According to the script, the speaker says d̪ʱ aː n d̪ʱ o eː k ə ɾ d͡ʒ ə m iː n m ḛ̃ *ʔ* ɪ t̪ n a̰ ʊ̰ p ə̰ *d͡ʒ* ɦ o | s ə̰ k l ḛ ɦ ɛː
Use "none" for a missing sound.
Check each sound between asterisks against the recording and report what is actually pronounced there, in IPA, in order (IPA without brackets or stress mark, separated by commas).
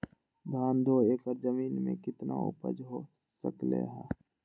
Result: k, d͡ʒ